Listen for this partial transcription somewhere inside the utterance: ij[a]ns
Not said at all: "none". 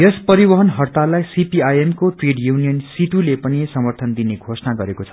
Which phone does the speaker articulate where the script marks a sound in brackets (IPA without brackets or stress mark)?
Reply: ʌ